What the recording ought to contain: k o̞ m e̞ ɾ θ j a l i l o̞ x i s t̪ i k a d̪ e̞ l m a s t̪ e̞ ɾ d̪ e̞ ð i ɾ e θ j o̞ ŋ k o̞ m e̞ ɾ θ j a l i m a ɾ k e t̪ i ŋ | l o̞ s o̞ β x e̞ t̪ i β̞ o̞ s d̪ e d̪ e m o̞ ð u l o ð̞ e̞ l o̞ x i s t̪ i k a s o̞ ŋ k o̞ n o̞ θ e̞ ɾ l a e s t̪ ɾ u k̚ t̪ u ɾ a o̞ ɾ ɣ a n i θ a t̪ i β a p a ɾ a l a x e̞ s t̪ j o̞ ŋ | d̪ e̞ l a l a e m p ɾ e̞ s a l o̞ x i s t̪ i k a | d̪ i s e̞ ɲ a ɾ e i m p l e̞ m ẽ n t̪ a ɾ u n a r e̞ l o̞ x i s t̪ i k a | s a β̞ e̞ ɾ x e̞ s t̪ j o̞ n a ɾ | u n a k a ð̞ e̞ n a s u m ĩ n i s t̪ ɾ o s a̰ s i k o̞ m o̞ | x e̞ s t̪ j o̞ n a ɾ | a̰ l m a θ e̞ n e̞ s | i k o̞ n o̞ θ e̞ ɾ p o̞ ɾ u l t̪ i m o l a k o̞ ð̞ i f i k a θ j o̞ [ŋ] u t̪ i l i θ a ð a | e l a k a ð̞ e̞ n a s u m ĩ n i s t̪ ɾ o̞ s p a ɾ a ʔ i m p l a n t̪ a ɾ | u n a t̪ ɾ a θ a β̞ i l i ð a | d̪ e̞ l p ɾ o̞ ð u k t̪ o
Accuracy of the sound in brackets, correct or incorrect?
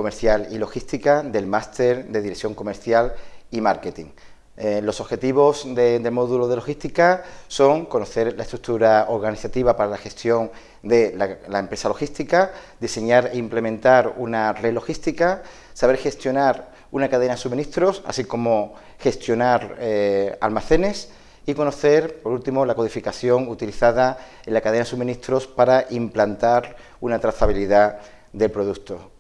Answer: correct